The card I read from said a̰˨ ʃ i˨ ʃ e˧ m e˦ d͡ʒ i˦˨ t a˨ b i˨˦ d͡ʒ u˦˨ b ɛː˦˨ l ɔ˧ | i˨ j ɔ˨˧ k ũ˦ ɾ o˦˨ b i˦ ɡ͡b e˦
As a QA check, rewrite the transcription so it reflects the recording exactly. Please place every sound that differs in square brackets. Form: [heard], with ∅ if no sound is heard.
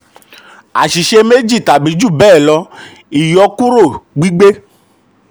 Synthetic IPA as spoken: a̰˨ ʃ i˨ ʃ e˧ m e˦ d͡ʒ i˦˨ t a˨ b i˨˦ d͡ʒ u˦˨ b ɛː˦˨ l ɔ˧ | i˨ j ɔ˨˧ k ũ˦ ɾ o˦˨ [ɡ͡b] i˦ ɡ͡b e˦

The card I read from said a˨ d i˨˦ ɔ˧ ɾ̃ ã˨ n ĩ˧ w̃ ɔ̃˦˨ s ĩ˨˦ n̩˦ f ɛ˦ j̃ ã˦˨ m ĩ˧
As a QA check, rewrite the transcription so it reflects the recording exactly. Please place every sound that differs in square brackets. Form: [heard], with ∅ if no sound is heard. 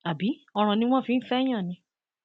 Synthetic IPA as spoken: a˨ [b] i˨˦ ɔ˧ ɾ̃ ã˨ n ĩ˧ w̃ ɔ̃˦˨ [f] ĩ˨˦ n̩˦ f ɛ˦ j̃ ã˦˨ [n] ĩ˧

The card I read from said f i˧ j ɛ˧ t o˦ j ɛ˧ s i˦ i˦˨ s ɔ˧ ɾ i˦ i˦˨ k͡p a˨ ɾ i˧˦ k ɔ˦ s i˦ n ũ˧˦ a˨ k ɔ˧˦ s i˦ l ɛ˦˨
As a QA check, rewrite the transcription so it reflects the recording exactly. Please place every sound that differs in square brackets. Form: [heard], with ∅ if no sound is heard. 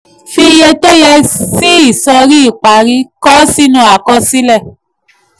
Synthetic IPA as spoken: f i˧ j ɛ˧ t o˦ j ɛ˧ s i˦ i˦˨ s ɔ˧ ɾ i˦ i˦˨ k͡p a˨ ɾ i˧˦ k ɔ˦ s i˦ n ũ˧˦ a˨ k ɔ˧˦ s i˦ l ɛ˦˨

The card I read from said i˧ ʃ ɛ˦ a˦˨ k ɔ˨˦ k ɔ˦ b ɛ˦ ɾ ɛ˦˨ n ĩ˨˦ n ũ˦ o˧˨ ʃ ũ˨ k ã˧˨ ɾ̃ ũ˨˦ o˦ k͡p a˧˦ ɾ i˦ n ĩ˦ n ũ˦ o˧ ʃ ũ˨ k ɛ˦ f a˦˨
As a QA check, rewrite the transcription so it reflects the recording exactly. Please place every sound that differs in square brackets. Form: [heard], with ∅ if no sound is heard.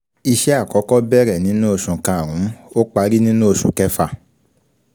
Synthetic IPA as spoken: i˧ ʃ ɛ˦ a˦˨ k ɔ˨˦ k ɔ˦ b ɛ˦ ɾ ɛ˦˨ n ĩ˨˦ n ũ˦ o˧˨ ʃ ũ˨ k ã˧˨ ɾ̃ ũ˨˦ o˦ k͡p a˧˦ ɾ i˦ n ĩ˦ n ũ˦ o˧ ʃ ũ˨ k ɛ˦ f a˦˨

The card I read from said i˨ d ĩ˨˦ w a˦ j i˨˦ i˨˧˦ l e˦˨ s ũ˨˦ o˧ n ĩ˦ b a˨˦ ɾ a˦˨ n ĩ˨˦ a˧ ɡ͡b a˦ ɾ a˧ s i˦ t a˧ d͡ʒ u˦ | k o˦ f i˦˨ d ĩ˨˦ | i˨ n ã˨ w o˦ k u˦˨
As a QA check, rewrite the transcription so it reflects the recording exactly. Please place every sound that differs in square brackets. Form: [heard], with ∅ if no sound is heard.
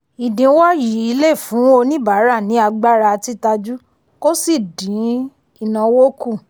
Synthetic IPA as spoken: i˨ d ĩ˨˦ w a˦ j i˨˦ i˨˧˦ l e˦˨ [f] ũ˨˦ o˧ n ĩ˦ b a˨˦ ɾ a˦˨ n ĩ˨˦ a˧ ɡ͡b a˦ ɾ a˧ [t] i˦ t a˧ d͡ʒ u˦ | k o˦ [s] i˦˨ d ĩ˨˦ | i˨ n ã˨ w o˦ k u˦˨

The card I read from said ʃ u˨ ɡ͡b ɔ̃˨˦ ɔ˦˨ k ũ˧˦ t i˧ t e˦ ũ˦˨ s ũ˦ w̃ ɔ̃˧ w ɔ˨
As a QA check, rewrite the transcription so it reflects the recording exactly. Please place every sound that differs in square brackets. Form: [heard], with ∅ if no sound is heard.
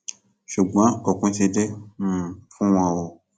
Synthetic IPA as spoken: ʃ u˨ ɡ͡b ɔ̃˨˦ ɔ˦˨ k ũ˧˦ t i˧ [d] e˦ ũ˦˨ [f] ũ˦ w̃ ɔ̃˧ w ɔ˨

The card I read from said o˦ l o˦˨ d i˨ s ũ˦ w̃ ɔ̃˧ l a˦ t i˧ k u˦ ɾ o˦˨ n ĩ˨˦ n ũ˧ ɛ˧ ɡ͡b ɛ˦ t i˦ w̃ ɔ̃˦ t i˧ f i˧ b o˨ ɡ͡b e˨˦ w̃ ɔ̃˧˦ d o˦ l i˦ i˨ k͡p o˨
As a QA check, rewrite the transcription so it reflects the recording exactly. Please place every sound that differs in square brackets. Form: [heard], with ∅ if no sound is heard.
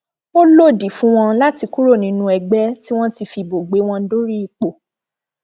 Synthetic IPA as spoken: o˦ l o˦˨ d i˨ [f] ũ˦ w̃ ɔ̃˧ l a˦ t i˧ k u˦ ɾ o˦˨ n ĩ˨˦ n ũ˧ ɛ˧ ɡ͡b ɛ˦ t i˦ w̃ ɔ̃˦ t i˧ f i˧ b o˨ ɡ͡b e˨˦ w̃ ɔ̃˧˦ d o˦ [ɾ] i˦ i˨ k͡p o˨

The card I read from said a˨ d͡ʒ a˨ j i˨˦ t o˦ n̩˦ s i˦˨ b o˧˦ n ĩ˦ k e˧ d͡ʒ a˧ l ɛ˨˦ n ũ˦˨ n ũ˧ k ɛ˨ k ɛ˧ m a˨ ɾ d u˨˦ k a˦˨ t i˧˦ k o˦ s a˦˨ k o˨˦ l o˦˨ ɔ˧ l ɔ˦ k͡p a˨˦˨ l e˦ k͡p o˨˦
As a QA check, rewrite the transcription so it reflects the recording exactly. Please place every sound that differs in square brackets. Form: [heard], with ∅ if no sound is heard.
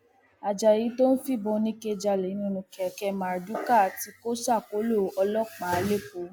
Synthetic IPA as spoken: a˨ d͡ʒ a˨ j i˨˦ t o˦ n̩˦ [f] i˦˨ b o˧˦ n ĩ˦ k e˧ d͡ʒ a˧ l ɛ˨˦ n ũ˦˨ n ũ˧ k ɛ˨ k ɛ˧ m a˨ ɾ d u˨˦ k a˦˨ t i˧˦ k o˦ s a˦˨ k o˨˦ l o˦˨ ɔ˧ l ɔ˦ k͡p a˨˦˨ l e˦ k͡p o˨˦

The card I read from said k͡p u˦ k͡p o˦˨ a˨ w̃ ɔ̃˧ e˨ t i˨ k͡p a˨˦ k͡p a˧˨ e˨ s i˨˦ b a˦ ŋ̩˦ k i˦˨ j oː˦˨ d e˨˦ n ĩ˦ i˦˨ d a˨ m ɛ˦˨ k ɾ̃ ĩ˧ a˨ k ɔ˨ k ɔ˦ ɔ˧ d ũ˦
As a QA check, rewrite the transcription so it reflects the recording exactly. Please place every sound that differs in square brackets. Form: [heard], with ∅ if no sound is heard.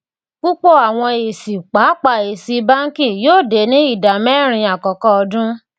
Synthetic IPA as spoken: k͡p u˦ k͡p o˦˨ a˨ w̃ ɔ̃˧ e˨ [s] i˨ k͡p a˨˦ k͡p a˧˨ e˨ s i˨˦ b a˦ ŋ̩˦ k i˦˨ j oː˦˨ d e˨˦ n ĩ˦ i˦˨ d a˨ m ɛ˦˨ [∅] ɾ̃ ĩ˧ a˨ k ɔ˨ k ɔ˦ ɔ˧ d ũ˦

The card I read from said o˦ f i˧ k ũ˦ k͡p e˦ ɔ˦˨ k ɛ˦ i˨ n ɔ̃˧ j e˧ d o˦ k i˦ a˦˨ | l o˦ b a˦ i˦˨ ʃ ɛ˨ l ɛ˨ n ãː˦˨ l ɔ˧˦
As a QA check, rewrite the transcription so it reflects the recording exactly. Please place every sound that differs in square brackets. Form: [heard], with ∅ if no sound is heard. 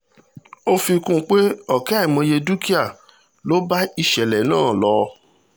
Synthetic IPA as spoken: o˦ f i˧ k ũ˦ k͡p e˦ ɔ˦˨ k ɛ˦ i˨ [m] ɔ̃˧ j e˧ d [u˦] k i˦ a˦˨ | l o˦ b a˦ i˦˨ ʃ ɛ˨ l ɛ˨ n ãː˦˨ l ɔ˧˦

